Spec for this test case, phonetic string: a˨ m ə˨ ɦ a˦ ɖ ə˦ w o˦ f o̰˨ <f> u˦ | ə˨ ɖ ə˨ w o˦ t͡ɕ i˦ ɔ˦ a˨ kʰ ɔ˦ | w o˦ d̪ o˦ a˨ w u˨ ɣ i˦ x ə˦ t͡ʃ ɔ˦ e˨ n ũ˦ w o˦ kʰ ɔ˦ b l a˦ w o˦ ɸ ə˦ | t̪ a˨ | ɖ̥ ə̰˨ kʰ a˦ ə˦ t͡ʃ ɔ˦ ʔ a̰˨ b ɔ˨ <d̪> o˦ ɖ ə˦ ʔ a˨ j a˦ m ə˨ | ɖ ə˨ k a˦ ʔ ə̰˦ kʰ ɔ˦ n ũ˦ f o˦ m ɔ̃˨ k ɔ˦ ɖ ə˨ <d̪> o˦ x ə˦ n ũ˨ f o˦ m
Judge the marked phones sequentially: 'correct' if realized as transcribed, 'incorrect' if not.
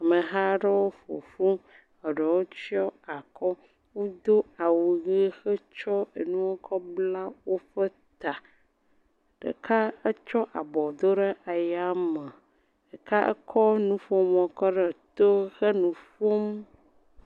correct, correct, incorrect

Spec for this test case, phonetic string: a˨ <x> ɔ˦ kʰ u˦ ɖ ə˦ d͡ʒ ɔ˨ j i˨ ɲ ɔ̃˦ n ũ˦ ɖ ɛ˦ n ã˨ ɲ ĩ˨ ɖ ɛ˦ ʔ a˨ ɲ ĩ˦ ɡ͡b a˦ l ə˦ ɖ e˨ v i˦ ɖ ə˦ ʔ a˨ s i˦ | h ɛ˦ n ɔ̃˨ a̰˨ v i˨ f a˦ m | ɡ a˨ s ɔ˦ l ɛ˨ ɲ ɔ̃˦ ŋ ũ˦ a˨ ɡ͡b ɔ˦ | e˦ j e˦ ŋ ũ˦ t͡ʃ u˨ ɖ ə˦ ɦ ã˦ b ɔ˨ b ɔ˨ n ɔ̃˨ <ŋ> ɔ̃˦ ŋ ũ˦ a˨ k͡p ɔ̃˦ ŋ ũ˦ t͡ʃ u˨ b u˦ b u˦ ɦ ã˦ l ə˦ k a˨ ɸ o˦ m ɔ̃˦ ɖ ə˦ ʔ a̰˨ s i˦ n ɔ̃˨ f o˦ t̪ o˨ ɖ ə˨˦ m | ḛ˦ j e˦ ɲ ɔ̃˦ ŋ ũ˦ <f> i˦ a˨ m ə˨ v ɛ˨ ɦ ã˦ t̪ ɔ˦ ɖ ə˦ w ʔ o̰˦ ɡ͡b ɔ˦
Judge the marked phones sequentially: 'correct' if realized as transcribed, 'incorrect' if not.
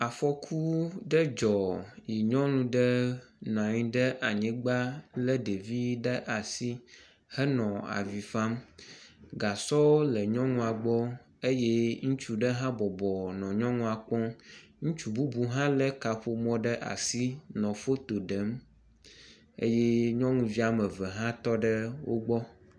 incorrect, incorrect, incorrect

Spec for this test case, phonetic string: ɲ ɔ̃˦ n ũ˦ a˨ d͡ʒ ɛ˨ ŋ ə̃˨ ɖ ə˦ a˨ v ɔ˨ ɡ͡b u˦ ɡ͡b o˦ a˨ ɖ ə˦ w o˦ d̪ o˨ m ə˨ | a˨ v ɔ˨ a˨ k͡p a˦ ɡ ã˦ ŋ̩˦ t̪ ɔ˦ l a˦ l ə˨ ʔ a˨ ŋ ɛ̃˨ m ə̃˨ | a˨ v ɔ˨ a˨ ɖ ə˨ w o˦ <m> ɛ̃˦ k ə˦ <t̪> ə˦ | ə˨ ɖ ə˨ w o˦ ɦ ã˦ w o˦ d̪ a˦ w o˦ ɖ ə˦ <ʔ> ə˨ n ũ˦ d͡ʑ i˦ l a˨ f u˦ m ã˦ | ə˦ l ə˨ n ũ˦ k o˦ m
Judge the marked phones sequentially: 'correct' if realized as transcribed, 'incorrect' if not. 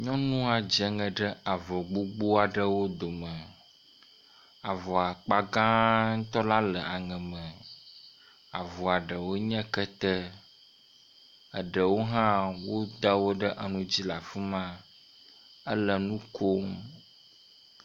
incorrect, correct, correct

